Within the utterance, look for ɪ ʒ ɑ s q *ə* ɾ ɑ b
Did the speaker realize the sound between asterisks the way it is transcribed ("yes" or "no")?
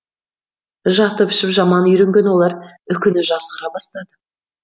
yes